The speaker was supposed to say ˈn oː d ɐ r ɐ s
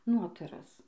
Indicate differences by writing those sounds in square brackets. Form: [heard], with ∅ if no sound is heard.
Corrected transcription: ˈn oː [t] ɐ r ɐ s